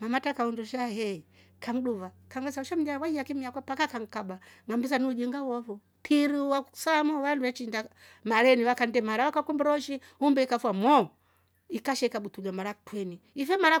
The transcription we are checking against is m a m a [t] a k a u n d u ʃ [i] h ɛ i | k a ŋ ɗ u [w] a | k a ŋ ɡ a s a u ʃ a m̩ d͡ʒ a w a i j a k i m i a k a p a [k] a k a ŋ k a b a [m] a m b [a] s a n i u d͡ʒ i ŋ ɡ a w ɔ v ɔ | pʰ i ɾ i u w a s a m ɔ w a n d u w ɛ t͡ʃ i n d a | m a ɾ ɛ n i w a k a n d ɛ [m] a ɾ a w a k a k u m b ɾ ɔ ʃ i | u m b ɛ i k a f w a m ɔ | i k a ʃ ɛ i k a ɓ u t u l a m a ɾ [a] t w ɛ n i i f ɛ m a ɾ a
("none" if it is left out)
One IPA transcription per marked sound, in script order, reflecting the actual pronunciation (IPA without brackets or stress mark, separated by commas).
t, a, v, k, ŋ, i, m, a